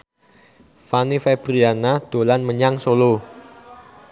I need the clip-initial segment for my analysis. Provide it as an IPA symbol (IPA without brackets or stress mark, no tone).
f